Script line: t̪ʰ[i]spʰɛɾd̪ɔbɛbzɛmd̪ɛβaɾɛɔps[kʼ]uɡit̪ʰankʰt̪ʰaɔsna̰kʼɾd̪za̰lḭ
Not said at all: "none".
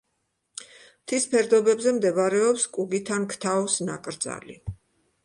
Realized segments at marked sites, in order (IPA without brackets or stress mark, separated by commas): i, kʼ